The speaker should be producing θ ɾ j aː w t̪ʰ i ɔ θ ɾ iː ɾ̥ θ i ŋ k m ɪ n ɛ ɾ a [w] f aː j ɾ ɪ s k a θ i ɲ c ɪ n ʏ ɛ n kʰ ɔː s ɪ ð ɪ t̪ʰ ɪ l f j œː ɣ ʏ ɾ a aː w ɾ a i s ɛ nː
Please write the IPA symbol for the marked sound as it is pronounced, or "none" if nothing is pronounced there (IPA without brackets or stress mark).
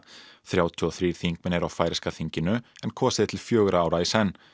w